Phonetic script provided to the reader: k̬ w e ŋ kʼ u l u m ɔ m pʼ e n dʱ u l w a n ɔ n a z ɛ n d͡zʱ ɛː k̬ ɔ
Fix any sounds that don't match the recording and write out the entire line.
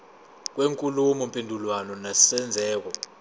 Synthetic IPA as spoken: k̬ w e ŋ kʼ u l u m ɔ m pʼ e n dʱ u l w a n ɔ n a s ɛ n d͡zʱ ɛː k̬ ɔ